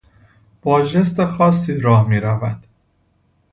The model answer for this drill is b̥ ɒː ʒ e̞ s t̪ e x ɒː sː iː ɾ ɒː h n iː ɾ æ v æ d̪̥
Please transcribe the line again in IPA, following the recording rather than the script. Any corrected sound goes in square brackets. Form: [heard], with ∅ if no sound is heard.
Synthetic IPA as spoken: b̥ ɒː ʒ e̞ s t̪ e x ɒː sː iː ɾ ɒː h [m] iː ɾ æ v æ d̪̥